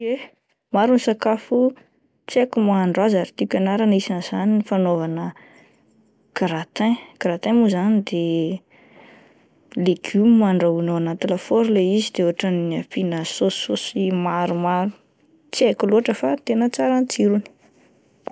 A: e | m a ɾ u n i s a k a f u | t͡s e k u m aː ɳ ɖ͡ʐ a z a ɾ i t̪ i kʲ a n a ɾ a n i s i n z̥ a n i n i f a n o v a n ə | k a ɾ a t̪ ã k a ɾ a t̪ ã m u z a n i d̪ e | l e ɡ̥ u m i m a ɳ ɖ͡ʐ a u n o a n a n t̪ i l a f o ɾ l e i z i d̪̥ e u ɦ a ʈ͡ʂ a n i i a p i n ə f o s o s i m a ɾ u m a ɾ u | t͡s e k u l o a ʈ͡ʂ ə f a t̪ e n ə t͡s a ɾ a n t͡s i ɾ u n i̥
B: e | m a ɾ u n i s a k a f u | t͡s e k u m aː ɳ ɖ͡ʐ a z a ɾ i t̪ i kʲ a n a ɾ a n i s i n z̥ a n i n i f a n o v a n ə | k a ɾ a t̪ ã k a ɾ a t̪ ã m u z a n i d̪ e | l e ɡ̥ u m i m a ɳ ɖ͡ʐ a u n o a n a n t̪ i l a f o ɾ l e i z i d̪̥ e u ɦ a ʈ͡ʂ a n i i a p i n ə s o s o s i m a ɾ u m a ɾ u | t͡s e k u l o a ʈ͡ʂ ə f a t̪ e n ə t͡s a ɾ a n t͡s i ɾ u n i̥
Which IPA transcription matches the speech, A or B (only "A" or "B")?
B